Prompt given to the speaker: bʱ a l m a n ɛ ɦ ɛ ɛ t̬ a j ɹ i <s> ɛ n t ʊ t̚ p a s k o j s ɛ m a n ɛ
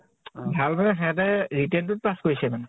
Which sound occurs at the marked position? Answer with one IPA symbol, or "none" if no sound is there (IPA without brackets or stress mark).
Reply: t